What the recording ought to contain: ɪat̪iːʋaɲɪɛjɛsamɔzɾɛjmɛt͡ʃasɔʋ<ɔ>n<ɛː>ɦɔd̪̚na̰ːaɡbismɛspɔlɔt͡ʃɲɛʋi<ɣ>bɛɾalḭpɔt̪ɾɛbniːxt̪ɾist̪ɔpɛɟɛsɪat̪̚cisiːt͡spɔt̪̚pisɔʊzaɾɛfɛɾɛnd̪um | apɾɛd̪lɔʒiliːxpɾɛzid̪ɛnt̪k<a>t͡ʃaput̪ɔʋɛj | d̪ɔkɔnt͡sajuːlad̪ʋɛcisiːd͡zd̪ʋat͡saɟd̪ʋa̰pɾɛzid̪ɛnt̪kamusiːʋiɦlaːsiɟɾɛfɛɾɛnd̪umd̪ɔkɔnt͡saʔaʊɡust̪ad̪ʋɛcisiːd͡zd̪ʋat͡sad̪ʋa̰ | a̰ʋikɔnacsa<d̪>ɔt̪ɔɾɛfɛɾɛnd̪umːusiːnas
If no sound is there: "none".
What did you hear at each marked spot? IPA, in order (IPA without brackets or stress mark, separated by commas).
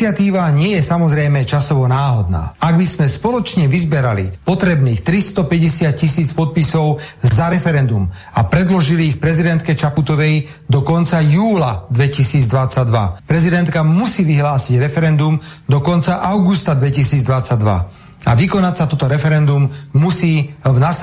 ɔ, aː, z, ɛ, t̪